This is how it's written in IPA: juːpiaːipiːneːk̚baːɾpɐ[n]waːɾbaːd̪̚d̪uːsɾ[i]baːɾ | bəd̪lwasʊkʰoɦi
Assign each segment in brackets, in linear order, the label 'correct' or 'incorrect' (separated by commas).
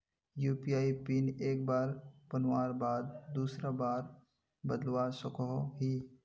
correct, incorrect